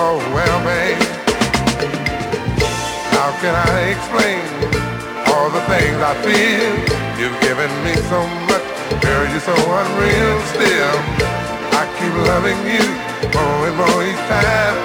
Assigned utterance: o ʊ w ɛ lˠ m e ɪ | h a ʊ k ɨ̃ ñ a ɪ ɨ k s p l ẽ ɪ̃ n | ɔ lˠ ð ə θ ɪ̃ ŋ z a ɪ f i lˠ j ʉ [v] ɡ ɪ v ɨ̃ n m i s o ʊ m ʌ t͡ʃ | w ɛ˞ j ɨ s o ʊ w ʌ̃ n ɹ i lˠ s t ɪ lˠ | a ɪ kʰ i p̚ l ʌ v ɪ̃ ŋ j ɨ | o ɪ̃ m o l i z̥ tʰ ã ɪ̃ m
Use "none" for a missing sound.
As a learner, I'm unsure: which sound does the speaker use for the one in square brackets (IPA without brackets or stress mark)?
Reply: v